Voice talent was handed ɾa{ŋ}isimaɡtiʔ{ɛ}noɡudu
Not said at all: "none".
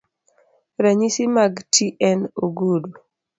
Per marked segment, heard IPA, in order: ɲ, ɛ

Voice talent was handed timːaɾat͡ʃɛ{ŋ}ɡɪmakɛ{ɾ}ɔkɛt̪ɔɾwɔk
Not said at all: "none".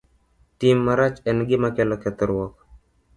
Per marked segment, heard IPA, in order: n, l

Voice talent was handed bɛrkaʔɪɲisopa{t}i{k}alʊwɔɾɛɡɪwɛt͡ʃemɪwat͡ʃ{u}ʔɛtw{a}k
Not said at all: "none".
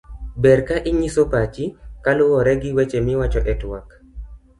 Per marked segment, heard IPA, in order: t͡ʃ, k, ɔ, a

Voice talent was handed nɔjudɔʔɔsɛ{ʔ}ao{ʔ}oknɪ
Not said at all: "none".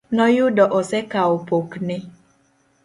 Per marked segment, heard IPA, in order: k, p

